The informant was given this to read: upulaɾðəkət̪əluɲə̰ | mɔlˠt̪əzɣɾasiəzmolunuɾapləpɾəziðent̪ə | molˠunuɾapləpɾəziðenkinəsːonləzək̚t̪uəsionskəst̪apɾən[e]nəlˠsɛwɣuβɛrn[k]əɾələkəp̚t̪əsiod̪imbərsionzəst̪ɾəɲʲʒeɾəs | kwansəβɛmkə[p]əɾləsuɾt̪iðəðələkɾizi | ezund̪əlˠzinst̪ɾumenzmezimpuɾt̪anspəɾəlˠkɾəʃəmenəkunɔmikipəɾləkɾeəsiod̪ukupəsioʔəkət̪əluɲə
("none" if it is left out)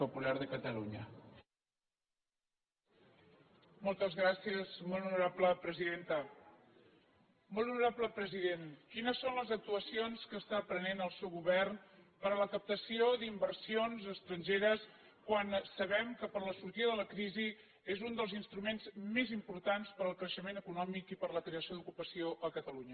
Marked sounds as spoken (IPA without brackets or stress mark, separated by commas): e, p, p